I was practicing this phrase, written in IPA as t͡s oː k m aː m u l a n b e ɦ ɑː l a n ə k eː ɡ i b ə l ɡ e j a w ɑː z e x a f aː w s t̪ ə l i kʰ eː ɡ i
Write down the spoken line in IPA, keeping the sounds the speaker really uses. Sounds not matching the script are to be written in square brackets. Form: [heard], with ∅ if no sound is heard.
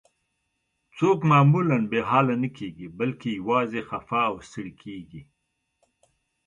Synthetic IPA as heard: t͡s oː k m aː m u l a n b e ɦ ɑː l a n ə k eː ɡ i b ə l [k] e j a w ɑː z e x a f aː w s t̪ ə [ɽ] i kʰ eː ɡ i